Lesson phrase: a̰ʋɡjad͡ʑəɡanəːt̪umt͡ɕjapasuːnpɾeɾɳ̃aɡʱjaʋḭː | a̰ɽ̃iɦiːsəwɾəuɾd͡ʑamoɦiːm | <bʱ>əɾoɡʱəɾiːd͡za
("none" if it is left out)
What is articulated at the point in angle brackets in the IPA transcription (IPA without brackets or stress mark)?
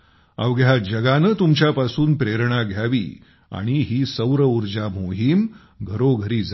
ɡʱ